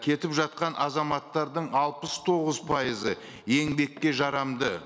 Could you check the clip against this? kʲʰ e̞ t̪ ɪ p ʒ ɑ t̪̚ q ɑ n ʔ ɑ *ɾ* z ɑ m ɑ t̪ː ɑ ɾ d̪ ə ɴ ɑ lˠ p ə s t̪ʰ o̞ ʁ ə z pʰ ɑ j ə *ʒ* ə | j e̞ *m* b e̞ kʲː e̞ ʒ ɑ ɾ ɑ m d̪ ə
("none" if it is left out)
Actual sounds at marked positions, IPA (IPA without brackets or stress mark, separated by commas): none, z, ŋ